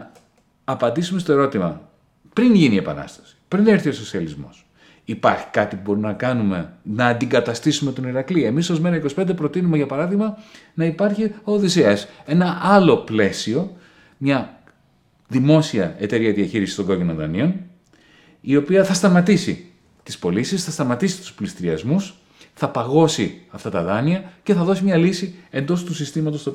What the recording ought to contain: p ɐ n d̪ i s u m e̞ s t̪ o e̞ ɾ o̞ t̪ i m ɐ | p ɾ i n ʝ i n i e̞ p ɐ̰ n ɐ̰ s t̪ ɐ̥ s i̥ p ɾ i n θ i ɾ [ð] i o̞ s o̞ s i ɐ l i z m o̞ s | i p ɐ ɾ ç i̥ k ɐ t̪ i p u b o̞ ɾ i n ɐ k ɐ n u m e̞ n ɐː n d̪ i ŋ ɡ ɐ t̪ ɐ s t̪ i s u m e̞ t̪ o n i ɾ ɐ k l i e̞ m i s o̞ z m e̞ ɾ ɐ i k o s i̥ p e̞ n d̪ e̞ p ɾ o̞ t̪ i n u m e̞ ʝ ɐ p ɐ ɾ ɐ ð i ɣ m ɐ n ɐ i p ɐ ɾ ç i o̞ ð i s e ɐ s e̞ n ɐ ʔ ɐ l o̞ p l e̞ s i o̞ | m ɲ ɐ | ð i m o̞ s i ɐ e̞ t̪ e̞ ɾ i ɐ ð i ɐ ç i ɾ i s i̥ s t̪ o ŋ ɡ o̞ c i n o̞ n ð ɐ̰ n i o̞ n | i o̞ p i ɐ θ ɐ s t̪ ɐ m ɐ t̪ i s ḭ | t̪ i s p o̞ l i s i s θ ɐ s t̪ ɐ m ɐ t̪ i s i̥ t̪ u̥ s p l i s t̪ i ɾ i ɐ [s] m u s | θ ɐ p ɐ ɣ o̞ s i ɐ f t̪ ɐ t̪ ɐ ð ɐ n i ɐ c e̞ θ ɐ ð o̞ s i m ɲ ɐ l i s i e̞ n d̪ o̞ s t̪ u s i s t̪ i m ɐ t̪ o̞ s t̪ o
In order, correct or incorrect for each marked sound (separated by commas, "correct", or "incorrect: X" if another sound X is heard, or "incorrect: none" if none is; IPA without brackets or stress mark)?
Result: incorrect: θ, incorrect: z